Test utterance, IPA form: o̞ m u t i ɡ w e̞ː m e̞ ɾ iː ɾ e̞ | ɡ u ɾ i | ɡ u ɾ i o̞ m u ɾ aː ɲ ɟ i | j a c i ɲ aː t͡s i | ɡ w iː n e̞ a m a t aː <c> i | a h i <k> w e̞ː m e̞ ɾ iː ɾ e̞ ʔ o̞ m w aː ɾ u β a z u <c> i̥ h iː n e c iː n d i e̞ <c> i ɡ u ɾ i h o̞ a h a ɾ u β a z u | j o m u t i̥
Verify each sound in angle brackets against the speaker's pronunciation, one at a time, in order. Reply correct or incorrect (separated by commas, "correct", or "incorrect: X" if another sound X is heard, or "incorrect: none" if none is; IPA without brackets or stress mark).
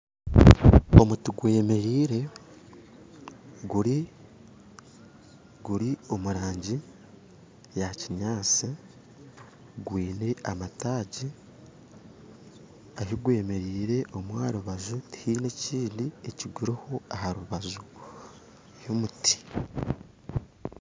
incorrect: ɟ, incorrect: ɡ, incorrect: t, correct